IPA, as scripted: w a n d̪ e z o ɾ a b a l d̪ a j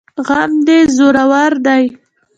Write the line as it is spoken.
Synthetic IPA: ɣ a m d̪ e z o ɾ a w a ɾ d̪ a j